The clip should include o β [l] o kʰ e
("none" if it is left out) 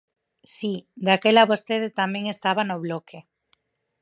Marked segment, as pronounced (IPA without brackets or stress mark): l